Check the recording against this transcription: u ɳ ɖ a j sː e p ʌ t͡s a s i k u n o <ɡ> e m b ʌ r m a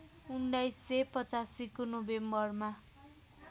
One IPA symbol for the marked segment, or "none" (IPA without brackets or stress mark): b